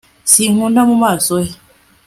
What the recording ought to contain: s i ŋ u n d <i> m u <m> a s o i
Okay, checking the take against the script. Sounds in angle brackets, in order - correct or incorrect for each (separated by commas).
incorrect, correct